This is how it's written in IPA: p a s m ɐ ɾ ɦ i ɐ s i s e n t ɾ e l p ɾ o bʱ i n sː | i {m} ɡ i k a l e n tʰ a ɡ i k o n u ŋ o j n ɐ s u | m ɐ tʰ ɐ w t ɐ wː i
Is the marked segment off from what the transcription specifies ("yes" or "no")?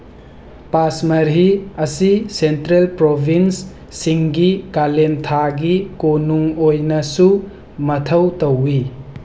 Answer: yes